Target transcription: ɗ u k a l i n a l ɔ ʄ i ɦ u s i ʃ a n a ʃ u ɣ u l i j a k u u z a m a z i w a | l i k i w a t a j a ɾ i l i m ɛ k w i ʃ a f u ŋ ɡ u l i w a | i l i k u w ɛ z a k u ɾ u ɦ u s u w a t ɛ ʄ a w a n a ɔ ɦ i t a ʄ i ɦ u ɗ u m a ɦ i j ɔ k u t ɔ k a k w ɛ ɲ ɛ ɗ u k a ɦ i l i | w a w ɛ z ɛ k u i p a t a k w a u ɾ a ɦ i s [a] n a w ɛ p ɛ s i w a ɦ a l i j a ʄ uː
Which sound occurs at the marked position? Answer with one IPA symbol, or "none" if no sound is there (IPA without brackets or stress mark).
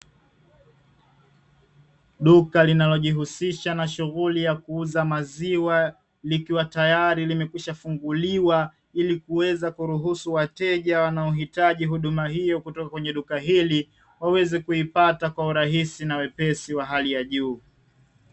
i